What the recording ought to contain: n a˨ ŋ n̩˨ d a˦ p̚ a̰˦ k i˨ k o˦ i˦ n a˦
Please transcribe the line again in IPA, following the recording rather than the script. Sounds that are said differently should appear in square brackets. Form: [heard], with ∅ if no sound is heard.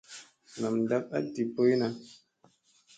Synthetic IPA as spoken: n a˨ [m] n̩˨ d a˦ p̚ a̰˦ [t] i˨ [p] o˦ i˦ n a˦